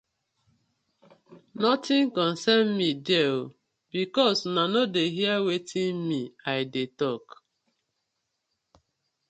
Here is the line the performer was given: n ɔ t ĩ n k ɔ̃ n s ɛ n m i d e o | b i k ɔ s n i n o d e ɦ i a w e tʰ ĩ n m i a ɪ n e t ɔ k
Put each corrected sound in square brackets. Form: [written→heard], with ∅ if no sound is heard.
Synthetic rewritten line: n ɔ t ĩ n k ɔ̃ n s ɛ n m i d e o | b i k ɔ s n [i→a] n o d e ɦ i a w e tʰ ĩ n m i a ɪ [n→d] e t ɔ k